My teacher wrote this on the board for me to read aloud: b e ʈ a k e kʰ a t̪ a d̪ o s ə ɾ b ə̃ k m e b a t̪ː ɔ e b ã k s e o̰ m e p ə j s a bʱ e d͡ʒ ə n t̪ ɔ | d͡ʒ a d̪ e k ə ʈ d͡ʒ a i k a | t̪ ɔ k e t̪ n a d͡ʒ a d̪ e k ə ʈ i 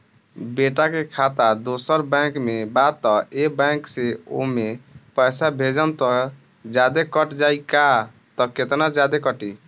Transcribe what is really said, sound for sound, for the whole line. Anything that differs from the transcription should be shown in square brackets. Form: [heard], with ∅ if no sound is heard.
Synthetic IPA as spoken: b e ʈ a k e kʰ a t̪ a d̪ o s ə ɾ b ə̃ k m e b a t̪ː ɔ e b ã k s e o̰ m e p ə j s a bʱ e d͡ʒ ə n t̪ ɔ | d͡ʒ a d̪ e k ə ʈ d͡ʒ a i k a | t̪ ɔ k e t̪ n a d͡ʒ a d̪ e k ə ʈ i

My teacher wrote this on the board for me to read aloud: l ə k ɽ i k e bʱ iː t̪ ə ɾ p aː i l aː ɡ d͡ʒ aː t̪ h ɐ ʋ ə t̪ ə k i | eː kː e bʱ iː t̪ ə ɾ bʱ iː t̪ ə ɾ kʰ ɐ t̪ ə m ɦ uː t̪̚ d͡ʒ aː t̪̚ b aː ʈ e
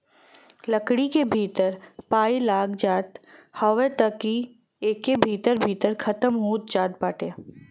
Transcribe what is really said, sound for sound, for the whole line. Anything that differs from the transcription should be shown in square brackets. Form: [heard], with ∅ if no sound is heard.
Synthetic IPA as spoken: l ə k ɽ i k e bʱ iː t̪ ə ɾ p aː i l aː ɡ d͡ʒ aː t̪ h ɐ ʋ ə t̪ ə k i | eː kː e bʱ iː t̪ ə ɾ bʱ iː t̪ ə ɾ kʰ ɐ t̪ ə m ɦ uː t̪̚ d͡ʒ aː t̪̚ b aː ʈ e

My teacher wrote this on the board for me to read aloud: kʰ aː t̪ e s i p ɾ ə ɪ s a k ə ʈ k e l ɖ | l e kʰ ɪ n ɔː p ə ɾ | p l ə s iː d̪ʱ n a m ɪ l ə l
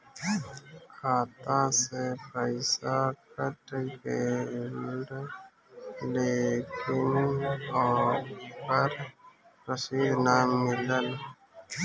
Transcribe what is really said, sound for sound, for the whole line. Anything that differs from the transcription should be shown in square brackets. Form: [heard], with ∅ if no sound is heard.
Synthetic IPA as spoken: kʰ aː t̪ [a] s [e] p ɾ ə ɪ s a k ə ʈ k e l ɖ | l e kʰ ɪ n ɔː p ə ɾ | p [ɾ] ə s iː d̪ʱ n a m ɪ l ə l

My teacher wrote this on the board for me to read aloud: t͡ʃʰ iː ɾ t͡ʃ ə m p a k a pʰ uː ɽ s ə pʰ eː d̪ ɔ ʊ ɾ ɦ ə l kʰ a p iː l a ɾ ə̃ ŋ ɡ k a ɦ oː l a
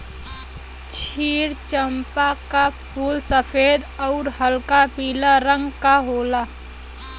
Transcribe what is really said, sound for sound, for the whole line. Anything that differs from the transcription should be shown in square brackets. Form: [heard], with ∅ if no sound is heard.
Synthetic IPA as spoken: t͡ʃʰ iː ɾ t͡ʃ ə m p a k a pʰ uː [l] s ə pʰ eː d̪ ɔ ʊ ɾ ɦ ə l [k] a p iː l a ɾ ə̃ ŋ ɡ k a ɦ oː l a

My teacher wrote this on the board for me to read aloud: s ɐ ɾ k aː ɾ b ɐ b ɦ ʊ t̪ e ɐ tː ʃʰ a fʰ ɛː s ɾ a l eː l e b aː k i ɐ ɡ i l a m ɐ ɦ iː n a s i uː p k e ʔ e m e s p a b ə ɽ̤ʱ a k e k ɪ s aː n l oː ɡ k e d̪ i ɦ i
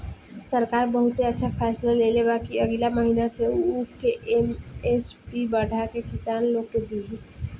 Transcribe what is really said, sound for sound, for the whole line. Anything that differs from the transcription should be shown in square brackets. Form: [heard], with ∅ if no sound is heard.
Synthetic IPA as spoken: s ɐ ɾ k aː ɾ b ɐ [∅] ɦ ʊ t̪ e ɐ tː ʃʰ a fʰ ɛː s [l] a l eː l e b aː k i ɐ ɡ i l a m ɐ ɦ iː n a s [e] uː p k e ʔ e m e s p [i] b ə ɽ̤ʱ a k e k ɪ s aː n l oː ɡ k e d̪ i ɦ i

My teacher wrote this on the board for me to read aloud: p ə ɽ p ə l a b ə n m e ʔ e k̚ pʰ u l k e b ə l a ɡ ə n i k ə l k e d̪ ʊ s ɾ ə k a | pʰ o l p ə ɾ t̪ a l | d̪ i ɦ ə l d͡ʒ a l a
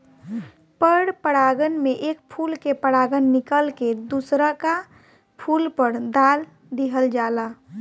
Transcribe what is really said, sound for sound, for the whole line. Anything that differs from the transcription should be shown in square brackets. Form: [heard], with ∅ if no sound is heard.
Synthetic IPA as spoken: p ə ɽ p ə [ɽ] a [ɡ] ə n m e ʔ e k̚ pʰ u l k e [p] ə [ɽ] a ɡ ə [nː] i k ə l k e d̪ [u] s ɾ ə k a | pʰ [u] l p ə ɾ [d̪] a l | d̪ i ɦ ə l d͡ʒ a l a

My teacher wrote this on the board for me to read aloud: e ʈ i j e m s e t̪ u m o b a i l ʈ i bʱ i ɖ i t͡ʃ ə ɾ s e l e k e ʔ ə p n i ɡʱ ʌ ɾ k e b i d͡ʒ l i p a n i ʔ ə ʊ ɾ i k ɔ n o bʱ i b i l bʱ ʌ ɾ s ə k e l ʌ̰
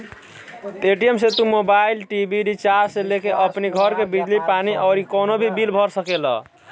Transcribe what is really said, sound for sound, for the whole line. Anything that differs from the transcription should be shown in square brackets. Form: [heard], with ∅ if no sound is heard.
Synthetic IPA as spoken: e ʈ i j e m s e t̪ u m o b a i l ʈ i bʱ i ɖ i t͡ʃ [a] ɾ s e l e k e ʔ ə p n i ɡʱ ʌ ɾ k e b i d͡ʒ l i p a n i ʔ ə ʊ ɾ i k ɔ n o bʱ i b i l bʱ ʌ ɾ s ə k e l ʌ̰

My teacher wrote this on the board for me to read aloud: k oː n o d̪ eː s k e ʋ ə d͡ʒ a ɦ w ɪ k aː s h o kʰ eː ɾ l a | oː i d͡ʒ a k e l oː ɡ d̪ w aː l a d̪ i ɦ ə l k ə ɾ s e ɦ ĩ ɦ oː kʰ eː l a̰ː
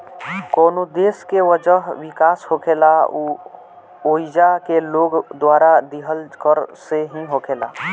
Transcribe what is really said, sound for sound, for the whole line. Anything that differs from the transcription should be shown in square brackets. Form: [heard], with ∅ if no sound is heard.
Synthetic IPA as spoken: k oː n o d̪ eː s k e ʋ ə d͡ʒ [ə] ɦ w ɪ k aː s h o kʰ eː [∅] l a | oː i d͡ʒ a k e l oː ɡ d̪ w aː [ɾ] a d̪ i ɦ ə l k ə ɾ s e ɦ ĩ ɦ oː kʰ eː l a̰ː

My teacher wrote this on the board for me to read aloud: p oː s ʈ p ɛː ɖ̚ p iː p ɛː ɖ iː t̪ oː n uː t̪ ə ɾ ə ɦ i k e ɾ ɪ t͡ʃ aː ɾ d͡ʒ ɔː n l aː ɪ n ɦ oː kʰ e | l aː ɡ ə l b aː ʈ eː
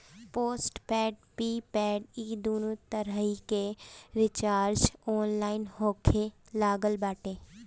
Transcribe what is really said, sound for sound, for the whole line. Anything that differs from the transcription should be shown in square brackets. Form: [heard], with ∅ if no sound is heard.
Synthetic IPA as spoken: p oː s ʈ p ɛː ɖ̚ p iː p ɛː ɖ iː [d̪] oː n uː t̪ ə ɾ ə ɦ i k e ɾ ɪ t͡ʃ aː ɾ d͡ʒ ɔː n l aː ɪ n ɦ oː kʰ e | l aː ɡ ə l b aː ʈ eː

